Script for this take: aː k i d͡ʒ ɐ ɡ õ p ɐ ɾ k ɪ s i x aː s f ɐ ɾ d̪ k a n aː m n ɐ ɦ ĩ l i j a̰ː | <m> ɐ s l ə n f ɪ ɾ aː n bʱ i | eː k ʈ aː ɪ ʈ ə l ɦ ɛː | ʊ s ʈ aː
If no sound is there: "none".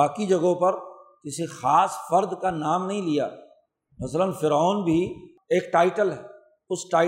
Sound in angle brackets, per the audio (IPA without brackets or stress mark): m